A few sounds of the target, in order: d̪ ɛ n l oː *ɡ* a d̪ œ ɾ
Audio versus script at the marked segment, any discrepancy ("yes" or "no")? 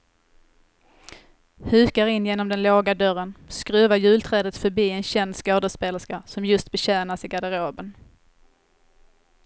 no